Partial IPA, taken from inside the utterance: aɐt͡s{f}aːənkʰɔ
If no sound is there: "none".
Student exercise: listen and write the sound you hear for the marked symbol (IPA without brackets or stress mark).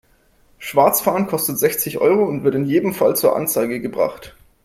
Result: f